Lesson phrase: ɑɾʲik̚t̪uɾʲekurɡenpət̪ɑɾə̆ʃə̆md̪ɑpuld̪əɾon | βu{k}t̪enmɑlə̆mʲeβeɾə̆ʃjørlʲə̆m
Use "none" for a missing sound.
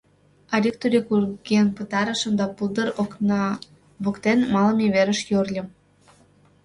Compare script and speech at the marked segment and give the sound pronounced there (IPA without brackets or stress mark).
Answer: k